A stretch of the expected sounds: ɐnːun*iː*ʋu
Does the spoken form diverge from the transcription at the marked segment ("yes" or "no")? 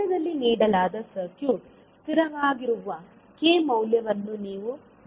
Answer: no